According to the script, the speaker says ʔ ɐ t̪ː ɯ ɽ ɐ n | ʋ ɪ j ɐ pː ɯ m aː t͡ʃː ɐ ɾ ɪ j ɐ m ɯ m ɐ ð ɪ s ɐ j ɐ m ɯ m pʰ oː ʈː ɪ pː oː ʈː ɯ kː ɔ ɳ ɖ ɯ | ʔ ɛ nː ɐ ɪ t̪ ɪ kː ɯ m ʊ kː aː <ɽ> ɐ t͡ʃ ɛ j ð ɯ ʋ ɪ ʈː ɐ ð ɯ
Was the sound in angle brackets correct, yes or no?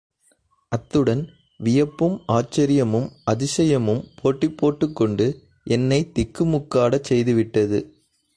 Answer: yes